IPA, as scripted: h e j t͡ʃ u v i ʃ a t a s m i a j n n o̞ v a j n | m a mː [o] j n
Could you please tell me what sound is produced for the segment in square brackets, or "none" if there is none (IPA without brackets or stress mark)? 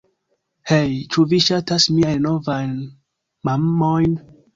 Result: o